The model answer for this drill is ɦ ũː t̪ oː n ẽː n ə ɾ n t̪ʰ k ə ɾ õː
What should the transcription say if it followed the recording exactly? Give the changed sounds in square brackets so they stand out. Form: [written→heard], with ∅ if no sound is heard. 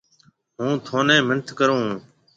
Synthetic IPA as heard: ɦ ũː [t̪→t̪ʰ] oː n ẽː [n→m] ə [ɾ→∅] n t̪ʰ k ə ɾ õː